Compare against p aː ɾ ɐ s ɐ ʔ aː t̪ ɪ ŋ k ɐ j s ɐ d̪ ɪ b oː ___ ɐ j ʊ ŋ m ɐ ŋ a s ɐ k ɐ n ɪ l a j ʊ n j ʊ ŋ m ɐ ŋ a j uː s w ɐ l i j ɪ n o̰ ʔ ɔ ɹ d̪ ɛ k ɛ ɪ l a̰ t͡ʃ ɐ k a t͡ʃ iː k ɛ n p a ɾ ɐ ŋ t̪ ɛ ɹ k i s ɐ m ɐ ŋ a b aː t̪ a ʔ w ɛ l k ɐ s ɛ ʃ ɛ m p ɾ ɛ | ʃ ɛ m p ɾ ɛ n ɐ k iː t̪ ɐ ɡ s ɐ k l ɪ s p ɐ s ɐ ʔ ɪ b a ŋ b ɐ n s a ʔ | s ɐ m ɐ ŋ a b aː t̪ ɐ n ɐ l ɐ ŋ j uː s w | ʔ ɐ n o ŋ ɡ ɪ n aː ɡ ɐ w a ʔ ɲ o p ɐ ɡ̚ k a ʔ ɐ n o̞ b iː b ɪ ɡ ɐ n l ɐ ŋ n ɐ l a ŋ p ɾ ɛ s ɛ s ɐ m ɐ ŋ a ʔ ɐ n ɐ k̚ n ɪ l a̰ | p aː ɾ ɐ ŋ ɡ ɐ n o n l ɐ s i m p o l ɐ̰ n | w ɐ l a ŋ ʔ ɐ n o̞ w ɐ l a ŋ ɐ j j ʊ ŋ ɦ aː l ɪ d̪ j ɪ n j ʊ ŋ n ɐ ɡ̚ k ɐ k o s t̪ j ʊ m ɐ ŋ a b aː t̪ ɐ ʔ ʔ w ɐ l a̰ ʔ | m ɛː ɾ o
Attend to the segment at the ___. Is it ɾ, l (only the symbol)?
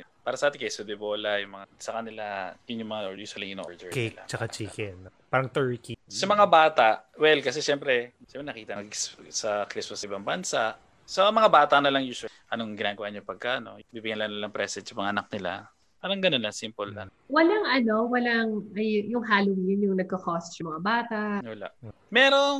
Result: l